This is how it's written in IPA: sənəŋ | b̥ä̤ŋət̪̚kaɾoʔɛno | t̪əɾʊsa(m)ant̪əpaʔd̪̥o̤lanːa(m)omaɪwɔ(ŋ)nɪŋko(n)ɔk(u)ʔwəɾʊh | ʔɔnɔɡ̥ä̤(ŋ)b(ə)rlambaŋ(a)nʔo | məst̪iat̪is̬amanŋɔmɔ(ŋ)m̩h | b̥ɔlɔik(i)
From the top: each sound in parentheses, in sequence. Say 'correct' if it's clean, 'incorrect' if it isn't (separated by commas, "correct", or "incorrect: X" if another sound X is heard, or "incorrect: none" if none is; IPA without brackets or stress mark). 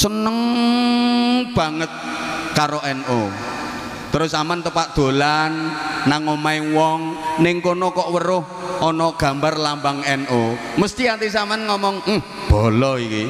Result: correct, incorrect: ŋ, correct, correct, incorrect: ɔ, incorrect: m, incorrect: a, incorrect: ɛ, correct, correct